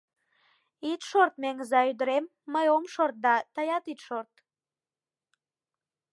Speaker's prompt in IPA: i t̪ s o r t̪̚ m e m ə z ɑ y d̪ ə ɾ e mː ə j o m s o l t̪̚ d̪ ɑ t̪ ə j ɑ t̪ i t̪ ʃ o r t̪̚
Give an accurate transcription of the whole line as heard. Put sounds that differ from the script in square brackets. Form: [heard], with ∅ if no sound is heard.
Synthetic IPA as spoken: i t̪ [ʃ] o r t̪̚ m e [ŋ] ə z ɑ y d̪ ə ɾ e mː ə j o m [ʃ] o [r] t̪̚ d̪ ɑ t̪ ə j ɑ t̪ i t̪ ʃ o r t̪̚